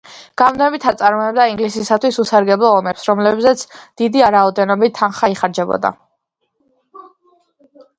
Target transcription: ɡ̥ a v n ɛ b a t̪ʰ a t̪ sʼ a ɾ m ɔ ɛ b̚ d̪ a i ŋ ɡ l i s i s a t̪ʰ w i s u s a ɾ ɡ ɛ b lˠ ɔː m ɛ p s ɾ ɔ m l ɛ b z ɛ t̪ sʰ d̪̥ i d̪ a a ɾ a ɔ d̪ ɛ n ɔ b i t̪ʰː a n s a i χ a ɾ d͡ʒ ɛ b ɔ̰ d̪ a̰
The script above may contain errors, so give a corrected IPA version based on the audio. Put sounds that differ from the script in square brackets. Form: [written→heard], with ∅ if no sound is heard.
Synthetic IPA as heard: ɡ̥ a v n ɛ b [a→i] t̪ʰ a t̪ sʼ a ɾ m ɔ ɛ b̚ d̪ a i ŋ ɡ l i s i s a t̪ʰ w i s u s a ɾ ɡ ɛ b lˠ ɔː m ɛ p s ɾ ɔ m l ɛ b z ɛ t̪ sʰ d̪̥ i d̪ [a→i] a ɾ a ɔ d̪ ɛ n ɔ b i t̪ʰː a n [s→χ] a i χ a ɾ d͡ʒ ɛ b ɔ̰ d̪ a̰